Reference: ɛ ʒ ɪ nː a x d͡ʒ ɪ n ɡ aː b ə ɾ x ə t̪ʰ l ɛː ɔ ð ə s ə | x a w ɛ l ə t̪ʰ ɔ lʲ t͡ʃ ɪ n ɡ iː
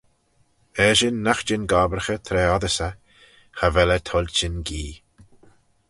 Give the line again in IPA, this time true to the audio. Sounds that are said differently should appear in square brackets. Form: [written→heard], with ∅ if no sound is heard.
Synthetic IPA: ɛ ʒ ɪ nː a x d͡ʒ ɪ n ɡ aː b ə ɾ x ə t̪ʰ [l→ɾ] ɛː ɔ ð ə s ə | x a [w→v] ɛ l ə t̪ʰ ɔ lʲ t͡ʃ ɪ n ɡ iː